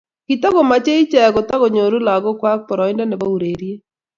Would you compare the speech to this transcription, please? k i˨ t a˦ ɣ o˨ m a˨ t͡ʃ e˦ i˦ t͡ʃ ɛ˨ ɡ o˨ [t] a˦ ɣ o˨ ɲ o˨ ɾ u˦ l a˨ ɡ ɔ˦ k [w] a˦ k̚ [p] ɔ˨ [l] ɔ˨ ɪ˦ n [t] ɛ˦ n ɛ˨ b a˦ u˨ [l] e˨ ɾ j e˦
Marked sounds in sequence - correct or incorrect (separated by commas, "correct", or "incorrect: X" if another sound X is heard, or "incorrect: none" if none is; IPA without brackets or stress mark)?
correct, correct, correct, incorrect: ɾ, incorrect: d, incorrect: ɾ